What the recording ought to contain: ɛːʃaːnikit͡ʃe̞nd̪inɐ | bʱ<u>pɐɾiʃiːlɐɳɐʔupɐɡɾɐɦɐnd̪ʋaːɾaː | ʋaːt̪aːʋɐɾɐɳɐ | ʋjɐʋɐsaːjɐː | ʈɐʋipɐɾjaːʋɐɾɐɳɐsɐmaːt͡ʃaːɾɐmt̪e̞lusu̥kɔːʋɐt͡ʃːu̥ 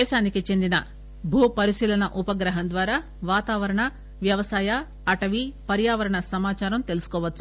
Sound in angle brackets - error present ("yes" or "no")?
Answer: yes